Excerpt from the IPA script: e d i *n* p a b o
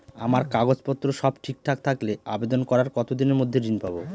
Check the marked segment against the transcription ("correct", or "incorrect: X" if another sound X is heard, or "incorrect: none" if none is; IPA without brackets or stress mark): correct